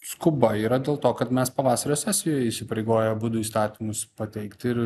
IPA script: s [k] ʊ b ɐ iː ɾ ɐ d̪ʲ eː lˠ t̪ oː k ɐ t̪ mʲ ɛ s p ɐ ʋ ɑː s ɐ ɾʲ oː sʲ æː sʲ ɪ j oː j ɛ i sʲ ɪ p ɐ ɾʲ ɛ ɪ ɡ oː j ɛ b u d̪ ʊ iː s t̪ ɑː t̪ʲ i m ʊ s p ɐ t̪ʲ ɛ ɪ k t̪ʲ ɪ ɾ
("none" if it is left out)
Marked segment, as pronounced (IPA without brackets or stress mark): k